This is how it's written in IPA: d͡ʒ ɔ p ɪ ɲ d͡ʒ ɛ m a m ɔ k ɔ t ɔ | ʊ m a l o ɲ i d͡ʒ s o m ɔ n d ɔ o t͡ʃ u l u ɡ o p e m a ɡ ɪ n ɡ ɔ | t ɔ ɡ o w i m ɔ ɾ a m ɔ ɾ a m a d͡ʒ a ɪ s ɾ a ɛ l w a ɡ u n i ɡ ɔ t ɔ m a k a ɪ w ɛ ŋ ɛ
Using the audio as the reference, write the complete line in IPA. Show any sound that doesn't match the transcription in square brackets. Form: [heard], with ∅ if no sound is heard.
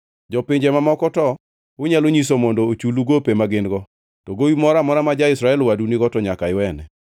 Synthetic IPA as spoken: d͡ʒ ɔ p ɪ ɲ d͡ʒ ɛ m a m ɔ k ɔ t ɔ | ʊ [ɲ] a l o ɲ i [∅] s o m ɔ n d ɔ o t͡ʃ u l u ɡ o p e m a ɡ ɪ n ɡ ɔ | t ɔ ɡ o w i m ɔ ɾ a m ɔ ɾ a m a d͡ʒ a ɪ s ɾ a ɛ l w a [d] u n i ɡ ɔ t ɔ [ɲ] a k a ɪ w ɛ [n] ɛ